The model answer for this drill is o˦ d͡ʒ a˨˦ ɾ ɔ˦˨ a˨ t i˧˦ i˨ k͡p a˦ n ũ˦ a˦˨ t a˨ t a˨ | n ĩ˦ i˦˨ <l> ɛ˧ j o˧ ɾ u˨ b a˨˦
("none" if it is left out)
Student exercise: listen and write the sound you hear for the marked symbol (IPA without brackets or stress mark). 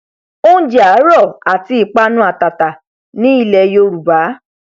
l